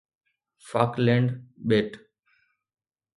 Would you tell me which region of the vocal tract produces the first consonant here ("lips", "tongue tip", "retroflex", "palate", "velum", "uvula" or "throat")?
lips